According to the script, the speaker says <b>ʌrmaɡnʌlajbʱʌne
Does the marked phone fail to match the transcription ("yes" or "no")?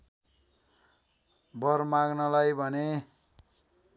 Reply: no